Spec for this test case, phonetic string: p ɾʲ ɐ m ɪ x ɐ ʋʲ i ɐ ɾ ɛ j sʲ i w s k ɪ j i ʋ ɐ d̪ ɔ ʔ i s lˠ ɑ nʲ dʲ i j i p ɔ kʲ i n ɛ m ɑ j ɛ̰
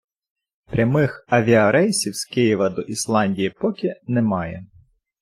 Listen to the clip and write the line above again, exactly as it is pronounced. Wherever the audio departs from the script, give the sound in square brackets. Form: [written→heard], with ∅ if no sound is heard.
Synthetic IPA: p ɾʲ ɐ m ɪ x ɐ ʋʲ i ɐ ɾ ɛ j sʲ i w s k ɪ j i ʋ ɐ d̪ ɔ ʔ i s lˠ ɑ nʲ dʲ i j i p ɔ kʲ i n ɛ m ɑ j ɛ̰